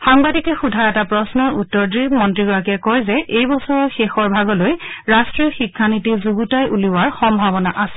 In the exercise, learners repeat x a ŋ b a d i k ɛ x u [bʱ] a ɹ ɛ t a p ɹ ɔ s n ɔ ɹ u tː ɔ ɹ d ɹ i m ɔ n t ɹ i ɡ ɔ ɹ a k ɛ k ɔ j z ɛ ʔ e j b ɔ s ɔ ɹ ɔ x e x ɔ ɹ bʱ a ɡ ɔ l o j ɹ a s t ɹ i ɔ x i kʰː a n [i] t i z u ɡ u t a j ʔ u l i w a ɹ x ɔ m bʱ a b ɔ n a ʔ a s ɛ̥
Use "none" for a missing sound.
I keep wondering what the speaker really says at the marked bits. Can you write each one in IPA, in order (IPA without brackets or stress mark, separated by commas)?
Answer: dʱ, i